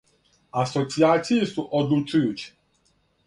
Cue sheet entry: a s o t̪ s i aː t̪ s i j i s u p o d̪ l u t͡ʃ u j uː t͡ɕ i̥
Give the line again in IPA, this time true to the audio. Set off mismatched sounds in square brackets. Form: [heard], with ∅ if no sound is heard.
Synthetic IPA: a s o t̪ s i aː t̪ s i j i s u [ʔ] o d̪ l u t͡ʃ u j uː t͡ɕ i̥